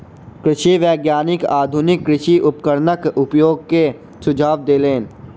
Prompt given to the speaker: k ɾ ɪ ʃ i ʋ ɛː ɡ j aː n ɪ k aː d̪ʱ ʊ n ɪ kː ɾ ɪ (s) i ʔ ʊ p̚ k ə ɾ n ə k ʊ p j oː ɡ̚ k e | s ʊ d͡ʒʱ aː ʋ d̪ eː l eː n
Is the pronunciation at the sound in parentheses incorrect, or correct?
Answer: incorrect